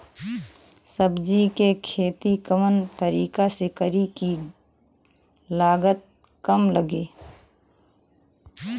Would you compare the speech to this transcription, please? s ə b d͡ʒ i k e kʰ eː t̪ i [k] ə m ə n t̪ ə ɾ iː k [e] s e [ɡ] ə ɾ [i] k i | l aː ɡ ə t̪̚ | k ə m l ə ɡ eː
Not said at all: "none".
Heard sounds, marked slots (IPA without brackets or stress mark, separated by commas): k, a, k, i